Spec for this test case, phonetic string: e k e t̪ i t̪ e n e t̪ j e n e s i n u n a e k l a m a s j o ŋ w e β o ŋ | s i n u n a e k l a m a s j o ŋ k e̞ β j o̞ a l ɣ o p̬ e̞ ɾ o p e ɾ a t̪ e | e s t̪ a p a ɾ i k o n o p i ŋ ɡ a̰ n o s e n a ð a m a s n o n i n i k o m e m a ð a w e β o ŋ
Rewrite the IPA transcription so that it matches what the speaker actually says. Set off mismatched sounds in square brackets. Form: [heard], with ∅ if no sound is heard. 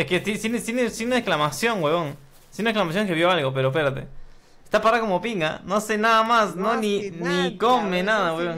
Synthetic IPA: e k e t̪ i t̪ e n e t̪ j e n e s i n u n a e k l a m a s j o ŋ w e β o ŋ | s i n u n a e k l a m a s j o ŋ k e̞ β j o̞ a l ɣ o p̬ e̞ ɾ o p e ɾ a t̪ e | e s t̪ a p a ɾ [a] k o [m] o p i ŋ ɡ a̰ n o s e n a ð a m a s n o n i n i k o m e [n] a ð a w e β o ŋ